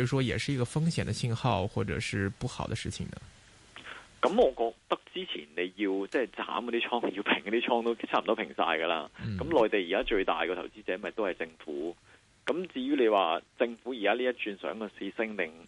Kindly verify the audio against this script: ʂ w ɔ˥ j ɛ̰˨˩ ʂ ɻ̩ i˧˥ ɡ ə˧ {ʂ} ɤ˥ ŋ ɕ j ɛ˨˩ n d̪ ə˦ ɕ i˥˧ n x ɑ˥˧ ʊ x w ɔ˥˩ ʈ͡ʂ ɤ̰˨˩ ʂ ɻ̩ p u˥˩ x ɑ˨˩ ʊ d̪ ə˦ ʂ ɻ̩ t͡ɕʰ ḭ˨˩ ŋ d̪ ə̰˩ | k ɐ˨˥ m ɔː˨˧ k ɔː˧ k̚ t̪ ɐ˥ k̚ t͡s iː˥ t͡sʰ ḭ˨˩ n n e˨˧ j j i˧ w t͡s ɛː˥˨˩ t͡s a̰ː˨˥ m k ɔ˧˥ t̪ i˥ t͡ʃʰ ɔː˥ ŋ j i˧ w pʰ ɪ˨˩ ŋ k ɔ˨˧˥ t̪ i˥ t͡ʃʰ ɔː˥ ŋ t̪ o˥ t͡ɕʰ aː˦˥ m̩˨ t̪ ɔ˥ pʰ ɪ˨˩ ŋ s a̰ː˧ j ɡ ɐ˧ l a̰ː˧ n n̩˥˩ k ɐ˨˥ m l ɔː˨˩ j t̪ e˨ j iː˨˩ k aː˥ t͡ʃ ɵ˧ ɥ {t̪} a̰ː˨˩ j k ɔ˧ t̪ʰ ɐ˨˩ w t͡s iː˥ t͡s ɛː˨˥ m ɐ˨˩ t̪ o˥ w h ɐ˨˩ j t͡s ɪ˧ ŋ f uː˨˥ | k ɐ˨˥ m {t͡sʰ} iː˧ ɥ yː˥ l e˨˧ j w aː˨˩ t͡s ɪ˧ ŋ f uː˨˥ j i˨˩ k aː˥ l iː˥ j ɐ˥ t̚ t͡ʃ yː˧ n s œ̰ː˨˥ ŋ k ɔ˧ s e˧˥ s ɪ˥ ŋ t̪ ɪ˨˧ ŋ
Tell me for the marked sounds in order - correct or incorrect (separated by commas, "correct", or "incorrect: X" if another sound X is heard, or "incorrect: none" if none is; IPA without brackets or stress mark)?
incorrect: f, correct, incorrect: t͡s